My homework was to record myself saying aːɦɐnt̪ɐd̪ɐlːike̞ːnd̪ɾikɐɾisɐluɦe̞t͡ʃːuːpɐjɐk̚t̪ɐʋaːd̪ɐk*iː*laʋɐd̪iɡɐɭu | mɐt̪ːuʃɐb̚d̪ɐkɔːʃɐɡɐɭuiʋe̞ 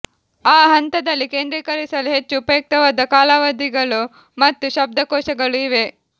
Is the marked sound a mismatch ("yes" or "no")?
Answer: yes